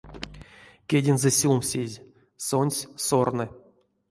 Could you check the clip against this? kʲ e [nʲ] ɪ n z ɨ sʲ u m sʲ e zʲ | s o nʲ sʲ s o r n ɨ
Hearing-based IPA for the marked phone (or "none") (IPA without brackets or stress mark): dʲ